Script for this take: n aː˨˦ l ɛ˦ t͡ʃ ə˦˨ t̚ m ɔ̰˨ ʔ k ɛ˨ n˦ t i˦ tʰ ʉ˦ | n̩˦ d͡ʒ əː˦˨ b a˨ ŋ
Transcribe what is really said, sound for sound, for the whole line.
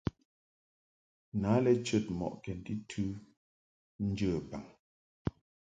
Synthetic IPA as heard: n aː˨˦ l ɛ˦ t͡ʃ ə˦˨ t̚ m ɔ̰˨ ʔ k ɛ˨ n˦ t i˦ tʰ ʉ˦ | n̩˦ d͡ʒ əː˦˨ b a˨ ŋ